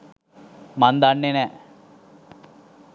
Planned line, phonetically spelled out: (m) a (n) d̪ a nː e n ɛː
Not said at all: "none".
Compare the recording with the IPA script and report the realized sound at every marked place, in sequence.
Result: m, n

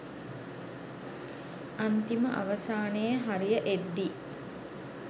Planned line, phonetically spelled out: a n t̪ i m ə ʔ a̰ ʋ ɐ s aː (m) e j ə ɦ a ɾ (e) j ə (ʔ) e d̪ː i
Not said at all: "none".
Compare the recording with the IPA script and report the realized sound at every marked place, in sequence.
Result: n, i, ʔ

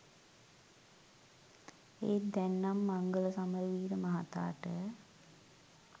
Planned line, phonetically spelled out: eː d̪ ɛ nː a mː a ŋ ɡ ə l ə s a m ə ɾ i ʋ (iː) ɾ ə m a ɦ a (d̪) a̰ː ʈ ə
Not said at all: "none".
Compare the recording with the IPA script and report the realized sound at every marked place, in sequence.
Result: iː, t̪

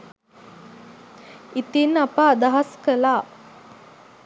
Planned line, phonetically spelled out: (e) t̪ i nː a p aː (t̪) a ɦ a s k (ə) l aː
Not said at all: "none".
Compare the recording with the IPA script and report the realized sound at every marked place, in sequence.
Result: i, d̪, ə

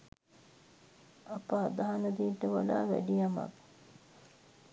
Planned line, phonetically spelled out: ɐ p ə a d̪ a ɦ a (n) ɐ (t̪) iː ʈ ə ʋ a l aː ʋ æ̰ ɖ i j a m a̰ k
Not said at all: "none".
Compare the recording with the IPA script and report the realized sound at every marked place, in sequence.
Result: n, d̪

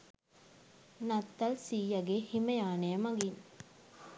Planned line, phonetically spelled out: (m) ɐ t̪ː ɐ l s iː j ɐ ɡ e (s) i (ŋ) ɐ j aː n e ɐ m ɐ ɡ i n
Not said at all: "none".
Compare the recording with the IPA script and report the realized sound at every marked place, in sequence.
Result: n, h, m

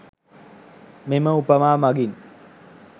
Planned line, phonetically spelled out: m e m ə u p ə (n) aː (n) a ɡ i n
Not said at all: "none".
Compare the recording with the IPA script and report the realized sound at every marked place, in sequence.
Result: m, m

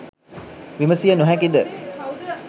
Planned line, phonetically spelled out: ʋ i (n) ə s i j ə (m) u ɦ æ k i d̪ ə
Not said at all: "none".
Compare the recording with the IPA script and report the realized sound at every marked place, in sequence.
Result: m, n

